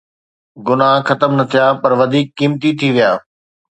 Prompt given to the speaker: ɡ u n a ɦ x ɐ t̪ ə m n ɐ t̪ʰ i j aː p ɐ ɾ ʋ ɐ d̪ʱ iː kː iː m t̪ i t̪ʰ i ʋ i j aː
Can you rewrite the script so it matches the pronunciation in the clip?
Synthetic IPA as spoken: ɡ ʊ n a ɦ x ɐ t̪ ə m n ɐ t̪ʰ i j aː p ɐ ɾ ʋ ɐ d̪ʱ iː kː iː m t̪ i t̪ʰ i ʋ i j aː